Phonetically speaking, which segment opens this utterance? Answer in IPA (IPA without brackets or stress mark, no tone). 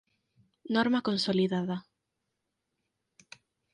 n